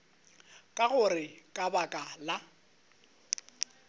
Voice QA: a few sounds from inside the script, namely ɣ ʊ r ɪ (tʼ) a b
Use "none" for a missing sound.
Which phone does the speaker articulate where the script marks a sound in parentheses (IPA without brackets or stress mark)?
kʼ